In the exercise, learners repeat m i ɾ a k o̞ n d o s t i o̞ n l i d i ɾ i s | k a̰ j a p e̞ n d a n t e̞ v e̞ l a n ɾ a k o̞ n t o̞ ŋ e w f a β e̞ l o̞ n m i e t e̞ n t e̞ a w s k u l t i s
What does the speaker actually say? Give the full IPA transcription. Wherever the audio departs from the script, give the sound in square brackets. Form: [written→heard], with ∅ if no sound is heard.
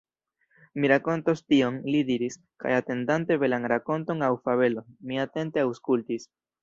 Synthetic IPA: m i ɾ a k o̞ n [d→t] o s t i o̞ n l i d i ɾ i s | k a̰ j a [p→t] e̞ n d a n t e̞ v e̞ l a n ɾ a k o̞ n t o̞ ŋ [e→a] w f a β e̞ l o̞ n m i [e→a] t e̞ n t e̞ a w s k u l t i s